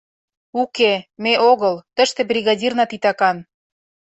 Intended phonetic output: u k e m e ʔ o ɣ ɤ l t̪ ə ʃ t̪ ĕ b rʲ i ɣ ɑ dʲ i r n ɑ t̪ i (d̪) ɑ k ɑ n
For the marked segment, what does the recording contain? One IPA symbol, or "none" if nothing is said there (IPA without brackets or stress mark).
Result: t̪